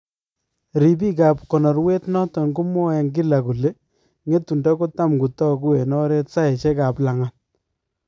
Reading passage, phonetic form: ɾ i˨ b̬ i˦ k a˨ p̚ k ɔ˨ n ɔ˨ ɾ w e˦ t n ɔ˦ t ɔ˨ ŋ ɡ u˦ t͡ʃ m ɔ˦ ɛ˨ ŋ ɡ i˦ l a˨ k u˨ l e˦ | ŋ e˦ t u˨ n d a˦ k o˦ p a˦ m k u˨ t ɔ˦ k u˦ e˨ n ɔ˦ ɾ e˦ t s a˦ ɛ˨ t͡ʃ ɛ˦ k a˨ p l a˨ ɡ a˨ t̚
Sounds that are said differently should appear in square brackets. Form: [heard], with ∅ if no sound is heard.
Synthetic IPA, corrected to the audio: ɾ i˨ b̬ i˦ k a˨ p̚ k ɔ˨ n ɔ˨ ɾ w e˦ t n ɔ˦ t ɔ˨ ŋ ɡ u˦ [∅] m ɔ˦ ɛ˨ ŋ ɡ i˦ l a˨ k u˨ l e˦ | ŋ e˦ t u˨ n d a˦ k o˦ [t] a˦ m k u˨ t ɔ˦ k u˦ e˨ n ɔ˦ ɾ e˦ t s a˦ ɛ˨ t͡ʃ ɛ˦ k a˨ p l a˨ [ŋ] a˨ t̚

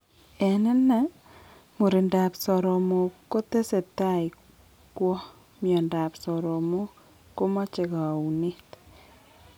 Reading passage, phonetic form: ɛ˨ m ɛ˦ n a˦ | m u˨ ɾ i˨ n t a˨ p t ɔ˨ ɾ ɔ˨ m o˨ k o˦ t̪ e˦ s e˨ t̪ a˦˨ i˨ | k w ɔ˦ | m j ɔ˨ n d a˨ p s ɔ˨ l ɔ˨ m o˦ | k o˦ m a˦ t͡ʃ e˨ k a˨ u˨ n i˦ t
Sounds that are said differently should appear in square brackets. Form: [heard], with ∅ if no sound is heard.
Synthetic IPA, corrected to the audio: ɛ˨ [n] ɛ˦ n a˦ | m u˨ ɾ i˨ n [d] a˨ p [s] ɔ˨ ɾ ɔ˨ m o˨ k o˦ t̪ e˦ s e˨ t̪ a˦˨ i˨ | k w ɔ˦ | m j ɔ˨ n d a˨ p s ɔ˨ [ɾ] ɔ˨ m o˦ | k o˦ m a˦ t͡ʃ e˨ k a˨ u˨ n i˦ t

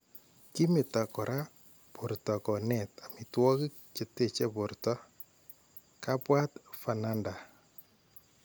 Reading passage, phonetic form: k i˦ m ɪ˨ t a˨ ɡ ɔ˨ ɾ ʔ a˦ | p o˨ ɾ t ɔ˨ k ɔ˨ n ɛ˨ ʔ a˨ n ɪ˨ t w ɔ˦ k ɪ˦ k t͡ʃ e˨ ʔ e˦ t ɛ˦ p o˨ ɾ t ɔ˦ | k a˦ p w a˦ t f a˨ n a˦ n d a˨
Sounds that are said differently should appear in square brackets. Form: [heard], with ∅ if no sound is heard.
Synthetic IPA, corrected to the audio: k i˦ m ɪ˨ t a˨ [k] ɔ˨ ɾ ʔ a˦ | p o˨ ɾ t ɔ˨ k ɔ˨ n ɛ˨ [t] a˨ [m] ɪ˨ t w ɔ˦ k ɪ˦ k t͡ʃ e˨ [t] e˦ [t͡ʃ] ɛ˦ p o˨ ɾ t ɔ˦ | k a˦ p w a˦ t f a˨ n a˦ n d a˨

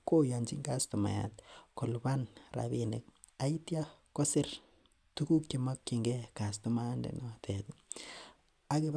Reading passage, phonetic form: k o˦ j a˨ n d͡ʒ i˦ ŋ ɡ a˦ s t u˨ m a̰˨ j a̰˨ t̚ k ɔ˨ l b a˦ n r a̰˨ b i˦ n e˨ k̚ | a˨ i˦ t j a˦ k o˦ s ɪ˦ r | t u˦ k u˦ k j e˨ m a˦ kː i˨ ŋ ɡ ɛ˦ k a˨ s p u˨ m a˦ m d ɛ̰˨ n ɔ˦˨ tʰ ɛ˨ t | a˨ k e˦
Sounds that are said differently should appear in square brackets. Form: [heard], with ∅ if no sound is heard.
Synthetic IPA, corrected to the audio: k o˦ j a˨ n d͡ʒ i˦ ŋ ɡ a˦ s t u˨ m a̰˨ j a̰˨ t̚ k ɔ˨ l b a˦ n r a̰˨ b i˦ n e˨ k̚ | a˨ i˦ t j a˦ k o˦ s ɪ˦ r | t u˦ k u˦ k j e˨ m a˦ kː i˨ ŋ ɡ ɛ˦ k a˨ s [t] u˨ m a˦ [n] d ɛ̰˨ n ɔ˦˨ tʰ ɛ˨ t | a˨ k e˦

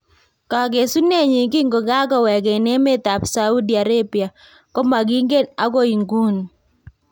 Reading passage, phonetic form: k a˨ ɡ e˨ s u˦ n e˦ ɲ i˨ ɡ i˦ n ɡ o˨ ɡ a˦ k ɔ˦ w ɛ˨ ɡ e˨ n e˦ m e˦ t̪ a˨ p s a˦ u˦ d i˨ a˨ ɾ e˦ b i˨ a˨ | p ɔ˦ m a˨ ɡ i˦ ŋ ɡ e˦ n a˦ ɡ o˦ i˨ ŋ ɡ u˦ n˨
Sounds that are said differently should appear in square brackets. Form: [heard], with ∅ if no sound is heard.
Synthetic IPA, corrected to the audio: k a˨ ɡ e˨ s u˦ n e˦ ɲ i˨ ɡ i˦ [ŋ] ɡ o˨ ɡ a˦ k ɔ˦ w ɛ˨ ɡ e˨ n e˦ m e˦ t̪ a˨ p s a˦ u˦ d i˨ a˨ ɾ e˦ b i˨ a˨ | [k] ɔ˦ m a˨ ɡ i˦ ŋ ɡ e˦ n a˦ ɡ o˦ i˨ ŋ ɡ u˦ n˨

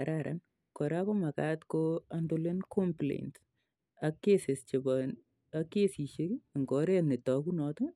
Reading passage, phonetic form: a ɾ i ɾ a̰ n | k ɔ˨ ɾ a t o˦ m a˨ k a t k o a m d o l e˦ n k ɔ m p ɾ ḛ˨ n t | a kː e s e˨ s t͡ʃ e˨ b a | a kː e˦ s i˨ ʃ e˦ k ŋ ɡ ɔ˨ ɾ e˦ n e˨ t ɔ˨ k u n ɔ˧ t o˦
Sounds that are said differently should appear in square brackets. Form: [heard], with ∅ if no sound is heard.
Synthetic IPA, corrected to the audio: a ɾ [a] ɾ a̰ n | k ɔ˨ ɾ a [k] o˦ m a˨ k a t k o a [n] d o l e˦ n k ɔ m p [l] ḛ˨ n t | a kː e s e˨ s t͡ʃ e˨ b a | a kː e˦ s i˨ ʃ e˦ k ŋ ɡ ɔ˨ ɾ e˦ n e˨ t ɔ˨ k u n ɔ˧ t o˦

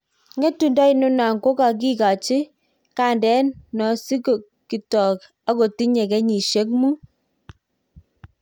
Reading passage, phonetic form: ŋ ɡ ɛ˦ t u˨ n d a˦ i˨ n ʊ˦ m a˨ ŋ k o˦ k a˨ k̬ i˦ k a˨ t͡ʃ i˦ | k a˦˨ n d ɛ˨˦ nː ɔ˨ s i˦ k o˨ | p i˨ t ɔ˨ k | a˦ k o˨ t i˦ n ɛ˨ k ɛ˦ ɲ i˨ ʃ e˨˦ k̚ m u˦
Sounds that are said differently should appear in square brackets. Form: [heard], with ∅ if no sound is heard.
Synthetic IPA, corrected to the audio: ŋ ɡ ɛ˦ t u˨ n d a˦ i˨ n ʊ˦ [n] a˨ ŋ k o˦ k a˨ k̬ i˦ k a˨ t͡ʃ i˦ | k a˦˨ n d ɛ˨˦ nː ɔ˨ s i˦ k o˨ | [k] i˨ t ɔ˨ k | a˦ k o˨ t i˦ [ɲ] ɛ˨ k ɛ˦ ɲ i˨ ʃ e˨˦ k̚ m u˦

